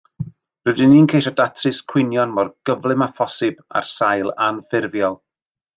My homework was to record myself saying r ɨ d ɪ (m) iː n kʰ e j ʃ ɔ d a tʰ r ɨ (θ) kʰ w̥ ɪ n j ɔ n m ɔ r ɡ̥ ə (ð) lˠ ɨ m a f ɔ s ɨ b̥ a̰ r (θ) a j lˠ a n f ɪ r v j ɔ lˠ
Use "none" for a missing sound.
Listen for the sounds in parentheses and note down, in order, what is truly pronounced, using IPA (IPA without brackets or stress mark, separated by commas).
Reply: n, s, v, s